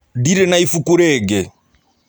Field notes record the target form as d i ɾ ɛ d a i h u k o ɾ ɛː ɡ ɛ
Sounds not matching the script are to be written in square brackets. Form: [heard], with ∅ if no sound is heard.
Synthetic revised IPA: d i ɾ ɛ [n] a i [f] u k [u] ɾ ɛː ɡ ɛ